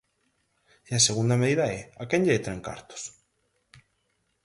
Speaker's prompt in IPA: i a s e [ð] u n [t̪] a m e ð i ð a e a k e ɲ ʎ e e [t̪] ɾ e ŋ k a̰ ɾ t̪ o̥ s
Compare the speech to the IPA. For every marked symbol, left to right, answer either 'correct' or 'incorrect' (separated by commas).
incorrect, incorrect, correct